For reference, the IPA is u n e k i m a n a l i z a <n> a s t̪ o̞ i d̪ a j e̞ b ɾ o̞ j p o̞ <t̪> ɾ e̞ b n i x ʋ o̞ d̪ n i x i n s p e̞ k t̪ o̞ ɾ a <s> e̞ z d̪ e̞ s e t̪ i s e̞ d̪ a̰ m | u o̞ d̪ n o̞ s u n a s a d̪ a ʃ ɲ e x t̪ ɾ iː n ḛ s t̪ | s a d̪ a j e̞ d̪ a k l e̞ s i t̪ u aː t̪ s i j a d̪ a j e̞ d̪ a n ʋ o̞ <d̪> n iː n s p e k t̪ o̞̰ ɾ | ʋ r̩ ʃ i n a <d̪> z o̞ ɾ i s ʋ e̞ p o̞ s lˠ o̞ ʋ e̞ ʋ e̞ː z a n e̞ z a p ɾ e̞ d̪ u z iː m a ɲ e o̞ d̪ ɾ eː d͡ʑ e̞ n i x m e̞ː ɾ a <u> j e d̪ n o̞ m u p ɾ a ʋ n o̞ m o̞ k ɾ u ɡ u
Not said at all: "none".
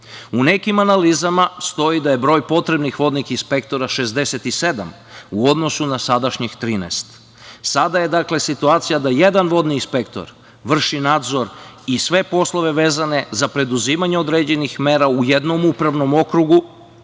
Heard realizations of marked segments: m, t̪, ʃ, d̪, d̪, u

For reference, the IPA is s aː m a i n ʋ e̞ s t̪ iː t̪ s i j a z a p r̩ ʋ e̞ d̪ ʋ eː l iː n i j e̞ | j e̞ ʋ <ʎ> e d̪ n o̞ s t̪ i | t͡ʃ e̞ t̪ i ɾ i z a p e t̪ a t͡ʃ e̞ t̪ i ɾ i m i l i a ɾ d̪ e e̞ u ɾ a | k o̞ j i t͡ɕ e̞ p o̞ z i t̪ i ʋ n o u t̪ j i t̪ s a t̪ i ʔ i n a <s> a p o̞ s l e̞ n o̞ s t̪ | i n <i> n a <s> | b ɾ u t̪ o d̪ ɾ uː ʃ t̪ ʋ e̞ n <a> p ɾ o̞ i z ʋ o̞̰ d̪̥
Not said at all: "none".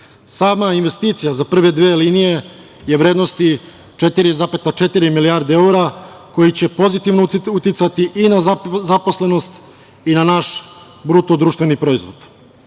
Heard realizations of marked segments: ɾ, z, a, ʃ, i

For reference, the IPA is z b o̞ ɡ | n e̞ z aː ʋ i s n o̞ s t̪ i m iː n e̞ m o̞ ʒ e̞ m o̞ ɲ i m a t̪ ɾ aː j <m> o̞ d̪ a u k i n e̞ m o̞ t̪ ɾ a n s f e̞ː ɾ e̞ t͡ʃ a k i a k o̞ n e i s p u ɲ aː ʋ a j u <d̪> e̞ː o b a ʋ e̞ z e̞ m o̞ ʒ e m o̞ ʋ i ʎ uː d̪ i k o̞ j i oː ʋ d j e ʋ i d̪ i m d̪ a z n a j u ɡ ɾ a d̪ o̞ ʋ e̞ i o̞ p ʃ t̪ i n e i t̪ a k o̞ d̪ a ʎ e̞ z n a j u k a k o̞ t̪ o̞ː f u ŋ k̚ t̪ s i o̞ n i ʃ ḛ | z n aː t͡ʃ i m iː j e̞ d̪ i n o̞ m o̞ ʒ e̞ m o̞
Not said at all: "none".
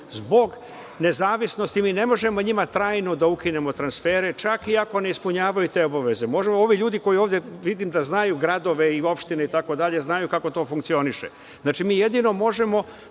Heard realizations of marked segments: n, t̪

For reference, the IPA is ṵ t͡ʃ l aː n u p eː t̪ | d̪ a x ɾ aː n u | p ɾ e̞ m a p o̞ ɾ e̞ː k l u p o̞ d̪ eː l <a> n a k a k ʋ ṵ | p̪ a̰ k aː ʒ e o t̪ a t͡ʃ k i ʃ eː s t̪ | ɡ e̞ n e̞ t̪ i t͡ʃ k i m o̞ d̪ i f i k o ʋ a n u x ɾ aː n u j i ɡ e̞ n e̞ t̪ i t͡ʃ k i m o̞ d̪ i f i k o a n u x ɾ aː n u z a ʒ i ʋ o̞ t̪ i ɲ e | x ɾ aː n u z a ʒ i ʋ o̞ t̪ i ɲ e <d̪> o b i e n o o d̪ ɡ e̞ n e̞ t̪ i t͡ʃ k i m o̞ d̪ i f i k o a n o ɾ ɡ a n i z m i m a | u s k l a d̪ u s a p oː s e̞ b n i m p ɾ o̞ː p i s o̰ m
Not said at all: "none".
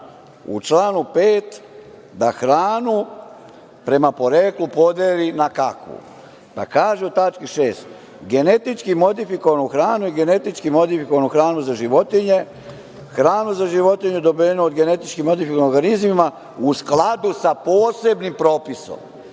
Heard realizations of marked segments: i, d̪

